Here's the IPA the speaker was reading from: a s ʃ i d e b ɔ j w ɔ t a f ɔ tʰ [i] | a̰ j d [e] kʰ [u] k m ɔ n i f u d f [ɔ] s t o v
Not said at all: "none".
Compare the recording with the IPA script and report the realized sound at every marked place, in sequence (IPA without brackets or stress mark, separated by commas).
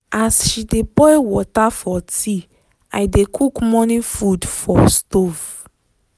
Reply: i, e, u, ɔ